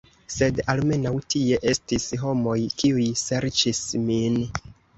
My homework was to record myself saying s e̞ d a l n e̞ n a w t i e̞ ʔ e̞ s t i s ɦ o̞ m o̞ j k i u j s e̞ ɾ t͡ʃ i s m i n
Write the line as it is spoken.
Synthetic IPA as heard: s e̞ d a l m e̞ n a w t i e̞ ʔ e̞ s t i s ɦ o̞ m o̞ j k i u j s e̞ ɾ t͡ʃ i s m i n